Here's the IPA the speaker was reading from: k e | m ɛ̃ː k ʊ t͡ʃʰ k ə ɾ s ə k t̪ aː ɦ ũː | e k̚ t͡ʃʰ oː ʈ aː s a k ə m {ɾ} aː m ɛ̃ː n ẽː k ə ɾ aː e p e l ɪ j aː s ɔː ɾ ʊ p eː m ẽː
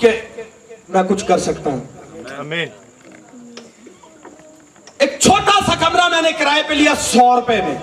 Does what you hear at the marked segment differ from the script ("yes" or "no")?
no